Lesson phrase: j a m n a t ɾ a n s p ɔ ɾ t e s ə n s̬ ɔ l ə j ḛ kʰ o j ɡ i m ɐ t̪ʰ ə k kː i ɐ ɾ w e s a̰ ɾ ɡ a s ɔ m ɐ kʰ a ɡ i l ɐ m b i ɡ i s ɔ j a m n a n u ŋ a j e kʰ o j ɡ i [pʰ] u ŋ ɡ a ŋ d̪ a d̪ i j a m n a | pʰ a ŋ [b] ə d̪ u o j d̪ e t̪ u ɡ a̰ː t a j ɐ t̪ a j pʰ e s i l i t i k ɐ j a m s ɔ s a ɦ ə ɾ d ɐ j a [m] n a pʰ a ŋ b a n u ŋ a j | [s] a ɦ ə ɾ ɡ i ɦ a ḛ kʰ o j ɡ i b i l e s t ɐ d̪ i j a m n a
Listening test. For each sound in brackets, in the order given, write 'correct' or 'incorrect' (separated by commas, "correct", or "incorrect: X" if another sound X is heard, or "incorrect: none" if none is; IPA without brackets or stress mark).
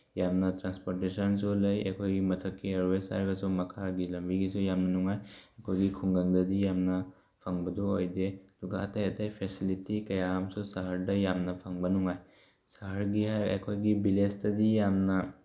incorrect: kʰ, correct, correct, correct